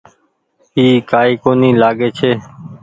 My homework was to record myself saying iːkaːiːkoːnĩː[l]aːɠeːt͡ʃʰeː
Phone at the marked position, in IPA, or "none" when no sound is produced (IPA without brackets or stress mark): l